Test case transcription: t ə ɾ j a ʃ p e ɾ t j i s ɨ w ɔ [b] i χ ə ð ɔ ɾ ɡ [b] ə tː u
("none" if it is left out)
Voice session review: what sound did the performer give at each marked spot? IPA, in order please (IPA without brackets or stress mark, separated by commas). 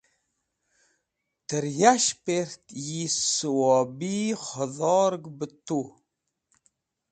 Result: b, b